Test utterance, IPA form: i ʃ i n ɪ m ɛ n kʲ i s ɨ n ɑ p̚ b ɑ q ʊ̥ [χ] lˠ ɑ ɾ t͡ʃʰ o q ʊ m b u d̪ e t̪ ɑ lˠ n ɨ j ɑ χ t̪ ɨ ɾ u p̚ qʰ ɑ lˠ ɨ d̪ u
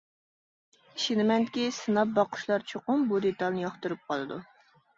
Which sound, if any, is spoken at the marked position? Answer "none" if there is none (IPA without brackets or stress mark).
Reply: ʃ